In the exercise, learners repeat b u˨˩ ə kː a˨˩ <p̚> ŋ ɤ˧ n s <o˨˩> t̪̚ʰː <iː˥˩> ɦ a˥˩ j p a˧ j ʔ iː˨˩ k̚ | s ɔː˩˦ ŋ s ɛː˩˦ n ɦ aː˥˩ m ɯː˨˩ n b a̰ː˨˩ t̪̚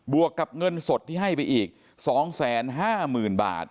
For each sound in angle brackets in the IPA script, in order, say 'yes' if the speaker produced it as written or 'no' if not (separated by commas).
yes, yes, yes